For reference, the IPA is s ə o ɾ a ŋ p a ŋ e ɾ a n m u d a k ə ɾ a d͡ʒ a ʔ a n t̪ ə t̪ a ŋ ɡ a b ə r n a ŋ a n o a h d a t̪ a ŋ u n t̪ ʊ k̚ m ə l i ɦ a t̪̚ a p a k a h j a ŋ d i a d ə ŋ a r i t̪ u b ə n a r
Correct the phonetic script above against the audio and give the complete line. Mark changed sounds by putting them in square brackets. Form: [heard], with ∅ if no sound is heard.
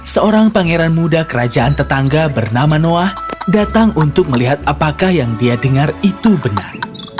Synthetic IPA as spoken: s ə o ɾ a ŋ p a ŋ e ɾ a n m u d a k ə ɾ a d͡ʒ a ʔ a n t̪ ə t̪ a ŋ ɡ a b ə r n a [m] a n o a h d a t̪ a ŋ u n t̪ ʊ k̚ m ə l i ɦ a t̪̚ a p a k a h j a ŋ d i a d ə ŋ a r i t̪ u b ə n a r

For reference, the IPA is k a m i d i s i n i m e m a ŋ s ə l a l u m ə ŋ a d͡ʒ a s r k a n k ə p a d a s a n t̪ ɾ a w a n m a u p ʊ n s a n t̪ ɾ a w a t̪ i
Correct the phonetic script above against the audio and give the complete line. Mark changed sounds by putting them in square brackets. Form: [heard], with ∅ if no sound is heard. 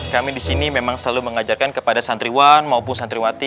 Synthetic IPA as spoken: k a m i d i s i n i m e m a ŋ s ə l a l u m ə ŋ a d͡ʒ a [∅] r k a n k ə p a d a s a n t̪ ɾ [i] w a n m a u p ʊ n s a n t̪ ɾ [i] w a t̪ i

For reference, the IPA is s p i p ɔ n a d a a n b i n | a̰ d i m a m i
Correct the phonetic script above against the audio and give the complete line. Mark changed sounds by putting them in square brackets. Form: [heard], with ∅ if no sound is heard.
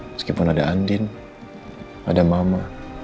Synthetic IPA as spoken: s [k] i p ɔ n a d a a n [d] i n | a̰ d [a] m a m [a]

